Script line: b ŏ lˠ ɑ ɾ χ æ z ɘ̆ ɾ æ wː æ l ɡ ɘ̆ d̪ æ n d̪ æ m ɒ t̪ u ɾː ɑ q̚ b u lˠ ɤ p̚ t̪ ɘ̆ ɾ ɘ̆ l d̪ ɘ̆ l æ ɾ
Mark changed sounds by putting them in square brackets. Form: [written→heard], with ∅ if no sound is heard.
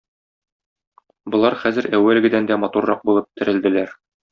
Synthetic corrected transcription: b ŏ lˠ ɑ ɾ χ æ z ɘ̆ ɾ æ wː æ l ɡ ɘ̆ d̪ æ n d̪ æ m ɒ t̪ u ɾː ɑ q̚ b u lˠ ɤ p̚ t̪ ɘ̆ ɾ ɘ̆ l d̪ ɘ̆ l æ ɾ